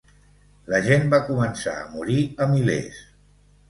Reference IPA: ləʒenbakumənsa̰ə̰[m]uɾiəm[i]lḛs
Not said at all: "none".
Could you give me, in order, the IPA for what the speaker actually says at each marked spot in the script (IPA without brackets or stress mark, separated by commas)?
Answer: m, i